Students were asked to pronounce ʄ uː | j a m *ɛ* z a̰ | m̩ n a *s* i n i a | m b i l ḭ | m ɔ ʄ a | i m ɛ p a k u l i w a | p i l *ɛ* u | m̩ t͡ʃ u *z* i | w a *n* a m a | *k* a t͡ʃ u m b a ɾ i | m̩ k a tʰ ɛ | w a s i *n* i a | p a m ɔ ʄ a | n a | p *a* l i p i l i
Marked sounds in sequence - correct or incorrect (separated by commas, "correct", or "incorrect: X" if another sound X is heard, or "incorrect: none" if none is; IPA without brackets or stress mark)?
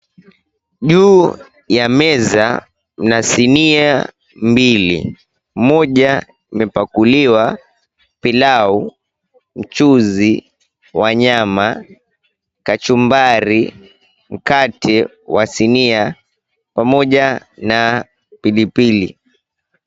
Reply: correct, correct, incorrect: a, correct, incorrect: ɲ, correct, correct, incorrect: i